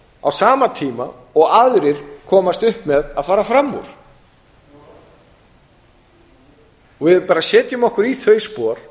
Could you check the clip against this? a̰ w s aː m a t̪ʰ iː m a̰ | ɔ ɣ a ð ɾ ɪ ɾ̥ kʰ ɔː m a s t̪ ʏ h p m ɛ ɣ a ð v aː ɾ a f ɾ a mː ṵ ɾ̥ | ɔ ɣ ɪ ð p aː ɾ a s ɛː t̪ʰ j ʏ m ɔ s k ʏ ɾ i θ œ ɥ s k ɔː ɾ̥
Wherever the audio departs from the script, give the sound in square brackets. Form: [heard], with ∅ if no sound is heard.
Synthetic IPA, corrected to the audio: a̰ w s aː m a t̪ʰ iː m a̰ | ɔ ɣ a ð ɾ ɪ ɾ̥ kʰ ɔː m a s t̪ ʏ h p m ɛ [ð] a ð [f] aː ɾ a f ɾ a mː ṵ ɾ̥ | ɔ [v] ɪ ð p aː ɾ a s ɛː [t̪] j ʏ m ɔ [h] k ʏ ɾ i θ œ ɥ s [p] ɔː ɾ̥